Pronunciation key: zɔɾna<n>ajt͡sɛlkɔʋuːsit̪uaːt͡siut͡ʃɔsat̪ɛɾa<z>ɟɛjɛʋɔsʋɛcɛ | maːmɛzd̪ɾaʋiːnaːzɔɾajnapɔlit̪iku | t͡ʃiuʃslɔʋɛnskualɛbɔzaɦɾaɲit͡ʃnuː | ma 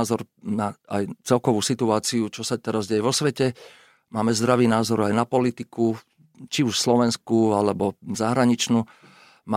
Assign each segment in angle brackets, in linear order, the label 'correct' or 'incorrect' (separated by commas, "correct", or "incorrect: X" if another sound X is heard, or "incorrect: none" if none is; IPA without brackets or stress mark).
incorrect: none, correct